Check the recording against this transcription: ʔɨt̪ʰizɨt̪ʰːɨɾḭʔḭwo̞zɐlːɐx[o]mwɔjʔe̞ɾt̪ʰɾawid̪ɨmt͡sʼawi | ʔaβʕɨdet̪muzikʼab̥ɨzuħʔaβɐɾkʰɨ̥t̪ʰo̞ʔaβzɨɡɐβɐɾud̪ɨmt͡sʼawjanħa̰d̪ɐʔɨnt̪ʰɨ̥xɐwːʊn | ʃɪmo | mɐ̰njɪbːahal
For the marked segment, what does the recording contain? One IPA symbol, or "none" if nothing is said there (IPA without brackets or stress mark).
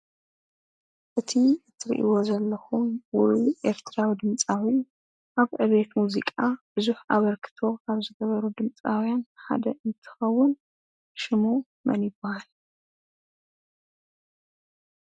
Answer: u